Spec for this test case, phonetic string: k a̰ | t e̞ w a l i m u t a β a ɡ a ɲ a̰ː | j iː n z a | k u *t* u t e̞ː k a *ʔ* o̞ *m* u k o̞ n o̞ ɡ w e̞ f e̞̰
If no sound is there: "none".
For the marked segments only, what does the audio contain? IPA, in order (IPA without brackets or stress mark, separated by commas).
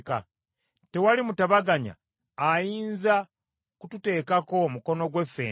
t, k, m